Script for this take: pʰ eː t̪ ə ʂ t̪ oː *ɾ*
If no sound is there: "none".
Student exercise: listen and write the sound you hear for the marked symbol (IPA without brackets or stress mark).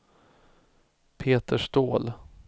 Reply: l